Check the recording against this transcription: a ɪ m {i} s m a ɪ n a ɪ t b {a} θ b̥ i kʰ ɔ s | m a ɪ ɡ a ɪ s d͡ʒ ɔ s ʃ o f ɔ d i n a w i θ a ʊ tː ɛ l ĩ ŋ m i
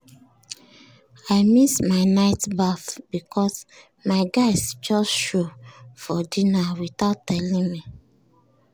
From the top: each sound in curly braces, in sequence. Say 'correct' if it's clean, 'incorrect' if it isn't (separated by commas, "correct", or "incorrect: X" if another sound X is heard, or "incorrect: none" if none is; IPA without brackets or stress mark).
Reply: correct, correct